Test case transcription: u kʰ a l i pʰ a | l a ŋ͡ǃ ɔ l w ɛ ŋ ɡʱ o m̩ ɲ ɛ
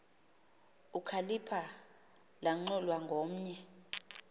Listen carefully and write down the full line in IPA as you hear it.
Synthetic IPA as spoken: u kʰ a l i pʰ a | l a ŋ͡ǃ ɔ l w a ŋ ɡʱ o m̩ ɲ ɛ